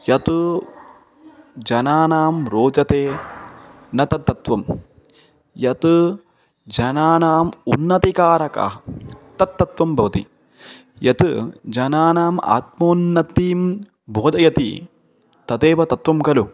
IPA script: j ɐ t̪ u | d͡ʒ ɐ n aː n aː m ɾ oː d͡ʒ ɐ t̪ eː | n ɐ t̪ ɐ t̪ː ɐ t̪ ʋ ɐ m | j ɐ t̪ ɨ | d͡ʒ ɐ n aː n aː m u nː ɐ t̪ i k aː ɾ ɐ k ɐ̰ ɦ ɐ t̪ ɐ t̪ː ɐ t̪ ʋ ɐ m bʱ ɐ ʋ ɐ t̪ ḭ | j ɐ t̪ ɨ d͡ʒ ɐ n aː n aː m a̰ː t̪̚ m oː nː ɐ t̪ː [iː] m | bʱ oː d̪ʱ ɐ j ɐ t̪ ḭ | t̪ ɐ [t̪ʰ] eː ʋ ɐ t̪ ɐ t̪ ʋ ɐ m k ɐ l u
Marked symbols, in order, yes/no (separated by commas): yes, no